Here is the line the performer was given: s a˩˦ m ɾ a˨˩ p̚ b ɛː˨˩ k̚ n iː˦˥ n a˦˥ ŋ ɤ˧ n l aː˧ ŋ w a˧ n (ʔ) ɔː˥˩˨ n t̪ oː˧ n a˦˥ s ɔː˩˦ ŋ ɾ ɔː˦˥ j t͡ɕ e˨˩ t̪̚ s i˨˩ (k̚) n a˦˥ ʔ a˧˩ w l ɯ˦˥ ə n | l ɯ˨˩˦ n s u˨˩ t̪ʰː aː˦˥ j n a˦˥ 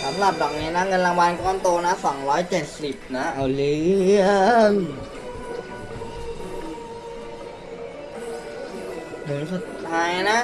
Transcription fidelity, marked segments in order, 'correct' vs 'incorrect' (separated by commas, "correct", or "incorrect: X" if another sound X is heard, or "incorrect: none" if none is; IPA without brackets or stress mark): incorrect: k, incorrect: p̚